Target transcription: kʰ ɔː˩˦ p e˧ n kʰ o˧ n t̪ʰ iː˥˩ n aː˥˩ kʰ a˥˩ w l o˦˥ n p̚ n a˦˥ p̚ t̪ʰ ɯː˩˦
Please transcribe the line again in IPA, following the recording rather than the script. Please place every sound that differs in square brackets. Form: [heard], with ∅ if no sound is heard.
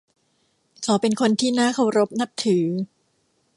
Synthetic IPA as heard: kʰ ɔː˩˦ p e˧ n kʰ o˧ n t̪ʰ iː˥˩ n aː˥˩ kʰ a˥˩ w [ɾ] o˦˥ [∅] p̚ n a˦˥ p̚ t̪ʰ ɯː˩˦